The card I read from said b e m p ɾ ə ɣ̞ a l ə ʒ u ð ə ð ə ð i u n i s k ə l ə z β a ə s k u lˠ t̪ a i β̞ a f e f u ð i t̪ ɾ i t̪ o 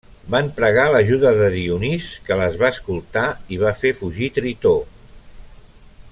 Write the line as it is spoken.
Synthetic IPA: b a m p ɾ ə ɣ̞ a l ə ʒ u ð ə ð ə ð i u n i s k ə l ə z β a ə s k u lˠ t̪ a i β̞ a f e f u ʒ i t̪ ɾ i t̪ o